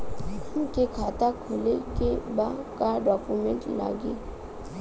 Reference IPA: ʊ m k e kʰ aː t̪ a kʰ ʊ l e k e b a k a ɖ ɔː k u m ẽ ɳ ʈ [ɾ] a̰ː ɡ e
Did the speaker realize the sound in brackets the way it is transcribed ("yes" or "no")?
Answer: no